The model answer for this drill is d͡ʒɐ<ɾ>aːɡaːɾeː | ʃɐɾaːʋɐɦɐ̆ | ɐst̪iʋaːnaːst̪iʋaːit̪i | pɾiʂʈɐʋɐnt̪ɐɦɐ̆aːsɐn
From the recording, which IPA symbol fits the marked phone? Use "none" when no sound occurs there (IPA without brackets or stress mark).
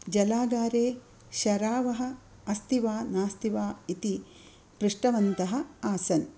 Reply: l